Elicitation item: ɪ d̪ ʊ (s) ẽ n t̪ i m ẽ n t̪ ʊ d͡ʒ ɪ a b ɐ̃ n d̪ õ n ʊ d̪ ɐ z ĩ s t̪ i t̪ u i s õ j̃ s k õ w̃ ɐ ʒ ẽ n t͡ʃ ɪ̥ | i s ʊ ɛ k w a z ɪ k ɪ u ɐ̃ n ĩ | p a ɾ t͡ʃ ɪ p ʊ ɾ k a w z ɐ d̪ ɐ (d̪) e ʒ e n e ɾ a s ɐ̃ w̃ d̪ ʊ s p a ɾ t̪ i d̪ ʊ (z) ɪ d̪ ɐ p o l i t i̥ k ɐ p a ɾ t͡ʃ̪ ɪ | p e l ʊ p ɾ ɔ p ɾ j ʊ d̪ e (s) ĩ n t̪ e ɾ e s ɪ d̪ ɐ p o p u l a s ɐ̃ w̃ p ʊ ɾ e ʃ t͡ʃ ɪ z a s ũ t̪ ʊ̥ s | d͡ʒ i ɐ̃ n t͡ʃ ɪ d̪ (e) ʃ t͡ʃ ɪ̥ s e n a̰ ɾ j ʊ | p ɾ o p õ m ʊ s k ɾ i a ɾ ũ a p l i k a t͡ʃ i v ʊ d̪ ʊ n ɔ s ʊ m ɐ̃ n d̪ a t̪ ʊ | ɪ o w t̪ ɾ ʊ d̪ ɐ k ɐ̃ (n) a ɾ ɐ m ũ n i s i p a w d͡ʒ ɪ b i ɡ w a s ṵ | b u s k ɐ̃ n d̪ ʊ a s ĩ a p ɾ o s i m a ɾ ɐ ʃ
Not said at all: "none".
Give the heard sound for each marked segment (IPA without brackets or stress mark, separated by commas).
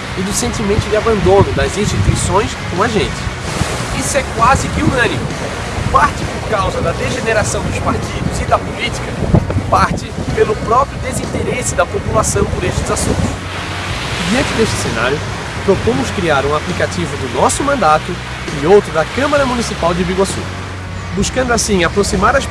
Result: s, d̪, z, z, e, m